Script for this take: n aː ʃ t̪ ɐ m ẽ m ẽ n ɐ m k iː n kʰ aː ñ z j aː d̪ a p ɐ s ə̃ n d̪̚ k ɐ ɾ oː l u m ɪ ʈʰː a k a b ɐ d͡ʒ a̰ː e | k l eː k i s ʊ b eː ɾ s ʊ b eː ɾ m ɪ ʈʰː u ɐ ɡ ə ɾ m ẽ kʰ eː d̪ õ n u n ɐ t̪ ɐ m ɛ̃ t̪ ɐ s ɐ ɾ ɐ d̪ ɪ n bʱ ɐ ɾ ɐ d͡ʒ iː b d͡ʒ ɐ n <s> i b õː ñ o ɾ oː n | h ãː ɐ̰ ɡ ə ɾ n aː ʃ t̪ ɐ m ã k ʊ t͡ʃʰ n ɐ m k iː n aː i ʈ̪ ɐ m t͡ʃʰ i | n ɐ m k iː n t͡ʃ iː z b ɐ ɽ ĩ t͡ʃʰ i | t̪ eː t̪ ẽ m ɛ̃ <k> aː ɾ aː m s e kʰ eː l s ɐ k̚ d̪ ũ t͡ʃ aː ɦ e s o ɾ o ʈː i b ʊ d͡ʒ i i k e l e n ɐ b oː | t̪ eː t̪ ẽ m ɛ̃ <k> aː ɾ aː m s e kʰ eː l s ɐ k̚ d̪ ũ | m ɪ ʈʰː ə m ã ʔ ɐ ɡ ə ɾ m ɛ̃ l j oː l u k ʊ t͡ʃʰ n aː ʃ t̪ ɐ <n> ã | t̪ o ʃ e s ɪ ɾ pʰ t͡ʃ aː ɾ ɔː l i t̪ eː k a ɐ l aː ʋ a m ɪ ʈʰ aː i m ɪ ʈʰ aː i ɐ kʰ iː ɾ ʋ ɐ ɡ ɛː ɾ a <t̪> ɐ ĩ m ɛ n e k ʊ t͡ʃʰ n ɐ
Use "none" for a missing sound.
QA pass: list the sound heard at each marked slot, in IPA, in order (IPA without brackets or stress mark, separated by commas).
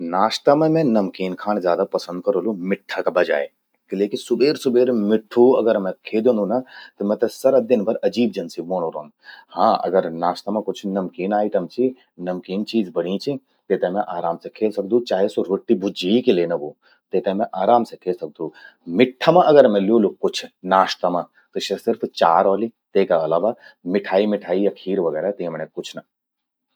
s, ʔ, ʔ, m, t̪